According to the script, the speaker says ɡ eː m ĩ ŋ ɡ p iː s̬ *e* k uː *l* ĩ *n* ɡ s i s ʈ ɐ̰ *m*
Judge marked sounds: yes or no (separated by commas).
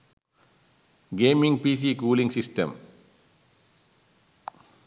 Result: no, yes, no, yes